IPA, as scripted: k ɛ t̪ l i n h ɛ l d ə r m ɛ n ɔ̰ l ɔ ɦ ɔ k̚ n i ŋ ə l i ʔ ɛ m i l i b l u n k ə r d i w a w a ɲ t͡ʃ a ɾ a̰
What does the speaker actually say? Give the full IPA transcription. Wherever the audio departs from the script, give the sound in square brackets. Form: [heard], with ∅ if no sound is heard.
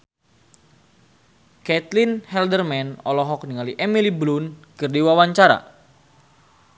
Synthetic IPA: k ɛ t̪ l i n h ɛ l d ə r m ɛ n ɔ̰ l ɔ ɦ ɔ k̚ n i ŋ [a] l i ʔ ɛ m i l i b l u n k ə r d i w a w a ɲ t͡ʃ a ɾ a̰